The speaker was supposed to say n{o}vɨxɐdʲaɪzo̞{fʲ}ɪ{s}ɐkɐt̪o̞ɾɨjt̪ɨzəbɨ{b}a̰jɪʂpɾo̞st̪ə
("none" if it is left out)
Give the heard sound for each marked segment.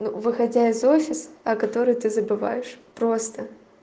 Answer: u, fʲ, s, v

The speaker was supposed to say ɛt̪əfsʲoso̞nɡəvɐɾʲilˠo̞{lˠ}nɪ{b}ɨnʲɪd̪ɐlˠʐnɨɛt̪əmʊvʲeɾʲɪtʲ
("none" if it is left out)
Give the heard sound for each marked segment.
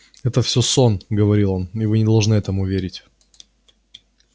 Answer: none, v

